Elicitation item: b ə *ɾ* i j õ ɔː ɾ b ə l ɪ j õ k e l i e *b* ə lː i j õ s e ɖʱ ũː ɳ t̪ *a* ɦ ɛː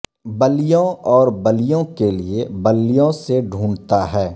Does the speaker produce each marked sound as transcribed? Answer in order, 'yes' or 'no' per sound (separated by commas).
no, yes, yes